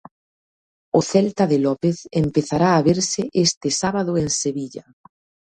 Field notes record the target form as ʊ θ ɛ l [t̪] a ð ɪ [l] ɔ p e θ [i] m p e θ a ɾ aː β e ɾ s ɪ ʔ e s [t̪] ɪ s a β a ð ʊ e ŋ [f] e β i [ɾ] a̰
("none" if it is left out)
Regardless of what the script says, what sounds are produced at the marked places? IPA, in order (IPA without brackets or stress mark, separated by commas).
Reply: t̪, l, e, t̪, s, ʎ